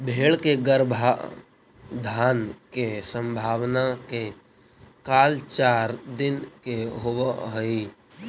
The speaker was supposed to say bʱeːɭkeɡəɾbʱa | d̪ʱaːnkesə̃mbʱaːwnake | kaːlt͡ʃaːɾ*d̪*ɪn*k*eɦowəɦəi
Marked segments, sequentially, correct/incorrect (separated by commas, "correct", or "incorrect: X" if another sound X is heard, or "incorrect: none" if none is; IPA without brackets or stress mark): correct, correct